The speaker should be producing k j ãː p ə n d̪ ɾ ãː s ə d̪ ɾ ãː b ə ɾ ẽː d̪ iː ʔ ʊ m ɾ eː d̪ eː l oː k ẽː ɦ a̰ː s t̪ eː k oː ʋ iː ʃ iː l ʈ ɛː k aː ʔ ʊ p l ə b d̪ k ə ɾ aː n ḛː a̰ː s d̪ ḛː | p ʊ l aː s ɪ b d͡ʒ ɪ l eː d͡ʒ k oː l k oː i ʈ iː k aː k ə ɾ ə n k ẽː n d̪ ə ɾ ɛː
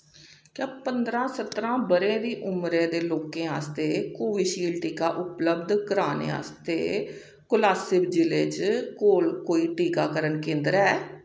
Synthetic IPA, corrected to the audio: k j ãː p ə n d̪ ɾ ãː s ə t̪ ɾ ãː b ə ɾ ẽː d̪ iː ʔ ʊ m ɾ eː d̪ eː l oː k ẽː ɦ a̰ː s t̪ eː k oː ʋ iː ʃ iː l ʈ iː k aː ʔ ʊ p l ə b d̪ k ə ɾ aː n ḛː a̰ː s t̪ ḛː | k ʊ l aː s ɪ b d͡ʒ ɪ l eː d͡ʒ k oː l k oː iː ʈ iː k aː k ə ɾ ə n k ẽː n d̪ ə ɾ ɛː